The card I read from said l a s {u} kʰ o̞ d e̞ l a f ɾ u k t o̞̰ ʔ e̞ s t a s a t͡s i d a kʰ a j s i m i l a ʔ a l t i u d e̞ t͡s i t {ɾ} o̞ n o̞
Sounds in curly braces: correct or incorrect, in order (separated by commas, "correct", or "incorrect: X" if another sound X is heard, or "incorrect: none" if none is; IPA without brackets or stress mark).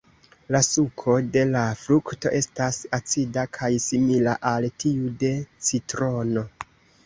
correct, correct